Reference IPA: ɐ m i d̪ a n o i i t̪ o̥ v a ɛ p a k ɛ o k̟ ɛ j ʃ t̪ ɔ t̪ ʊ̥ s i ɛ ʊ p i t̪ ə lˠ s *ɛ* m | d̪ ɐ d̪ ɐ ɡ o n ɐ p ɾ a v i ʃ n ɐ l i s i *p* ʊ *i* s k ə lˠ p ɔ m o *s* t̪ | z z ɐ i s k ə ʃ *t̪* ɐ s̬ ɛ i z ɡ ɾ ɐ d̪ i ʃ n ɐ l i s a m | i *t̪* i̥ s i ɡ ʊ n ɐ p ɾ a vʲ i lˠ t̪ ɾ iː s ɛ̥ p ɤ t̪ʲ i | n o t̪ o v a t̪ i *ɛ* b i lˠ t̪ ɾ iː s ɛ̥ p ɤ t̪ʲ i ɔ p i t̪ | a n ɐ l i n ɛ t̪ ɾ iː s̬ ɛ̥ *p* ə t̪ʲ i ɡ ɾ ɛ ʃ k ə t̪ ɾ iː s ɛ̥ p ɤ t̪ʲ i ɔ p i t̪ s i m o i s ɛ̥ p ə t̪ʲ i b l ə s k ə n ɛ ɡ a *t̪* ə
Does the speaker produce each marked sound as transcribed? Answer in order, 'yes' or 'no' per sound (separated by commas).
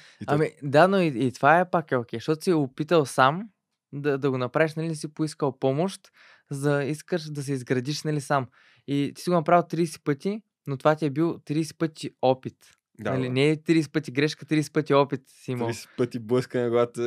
no, yes, yes, no, no, yes, yes, yes, yes